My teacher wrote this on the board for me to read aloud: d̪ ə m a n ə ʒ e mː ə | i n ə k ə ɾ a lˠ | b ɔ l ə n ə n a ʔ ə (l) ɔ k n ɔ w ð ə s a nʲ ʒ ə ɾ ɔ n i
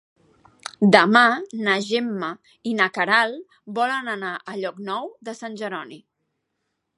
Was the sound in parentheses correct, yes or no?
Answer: no